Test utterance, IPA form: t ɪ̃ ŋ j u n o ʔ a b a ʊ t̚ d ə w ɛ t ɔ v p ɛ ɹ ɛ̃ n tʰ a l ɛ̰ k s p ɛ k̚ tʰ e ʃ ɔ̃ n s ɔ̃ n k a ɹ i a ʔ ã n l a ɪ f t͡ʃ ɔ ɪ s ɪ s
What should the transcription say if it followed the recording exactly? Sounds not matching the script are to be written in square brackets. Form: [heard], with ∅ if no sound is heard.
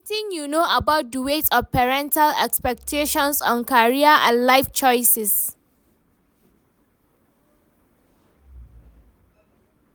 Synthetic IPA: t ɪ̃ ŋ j u n o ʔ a b a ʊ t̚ d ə w [e] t ɔ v p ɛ ɹ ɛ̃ n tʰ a l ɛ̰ k s p ɛ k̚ tʰ e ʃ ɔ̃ n s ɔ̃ n k a ɹ i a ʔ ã n l a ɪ f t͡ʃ ɔ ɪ s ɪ s